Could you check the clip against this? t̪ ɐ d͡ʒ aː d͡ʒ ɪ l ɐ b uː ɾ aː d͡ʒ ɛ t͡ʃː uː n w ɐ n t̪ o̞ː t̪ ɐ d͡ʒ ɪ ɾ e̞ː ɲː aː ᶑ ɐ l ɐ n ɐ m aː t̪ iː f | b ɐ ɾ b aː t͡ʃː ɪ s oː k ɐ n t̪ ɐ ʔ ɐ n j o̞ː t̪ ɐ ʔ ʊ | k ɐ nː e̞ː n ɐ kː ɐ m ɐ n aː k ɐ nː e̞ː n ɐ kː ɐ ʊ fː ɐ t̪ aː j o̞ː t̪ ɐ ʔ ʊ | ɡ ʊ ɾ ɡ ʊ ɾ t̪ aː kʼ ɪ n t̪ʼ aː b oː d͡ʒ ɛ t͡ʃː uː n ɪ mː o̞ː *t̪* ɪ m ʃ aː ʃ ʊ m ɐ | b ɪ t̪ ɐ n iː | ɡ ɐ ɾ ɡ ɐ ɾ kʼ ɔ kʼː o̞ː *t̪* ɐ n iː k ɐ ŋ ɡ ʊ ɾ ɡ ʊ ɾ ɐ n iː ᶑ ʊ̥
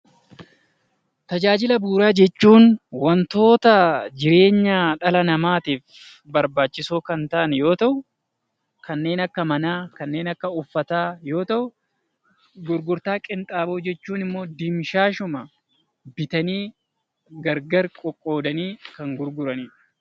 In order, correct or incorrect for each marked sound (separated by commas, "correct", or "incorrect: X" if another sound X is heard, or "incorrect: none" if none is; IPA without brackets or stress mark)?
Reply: incorrect: d̪, incorrect: d̪